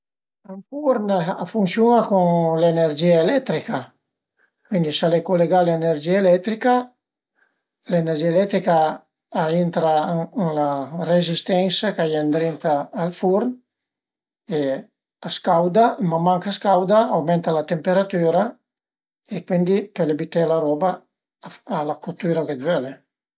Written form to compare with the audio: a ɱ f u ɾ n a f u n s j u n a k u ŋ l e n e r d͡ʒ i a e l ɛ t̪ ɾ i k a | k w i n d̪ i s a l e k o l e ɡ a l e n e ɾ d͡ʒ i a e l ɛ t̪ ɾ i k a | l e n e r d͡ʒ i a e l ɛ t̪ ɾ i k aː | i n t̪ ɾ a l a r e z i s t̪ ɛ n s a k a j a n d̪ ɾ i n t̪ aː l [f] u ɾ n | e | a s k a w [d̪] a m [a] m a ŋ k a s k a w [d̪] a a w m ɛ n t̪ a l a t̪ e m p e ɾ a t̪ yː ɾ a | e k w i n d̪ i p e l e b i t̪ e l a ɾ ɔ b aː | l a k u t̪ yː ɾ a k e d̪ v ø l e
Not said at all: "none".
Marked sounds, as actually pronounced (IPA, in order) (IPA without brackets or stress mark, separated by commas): f, d̪, a, d̪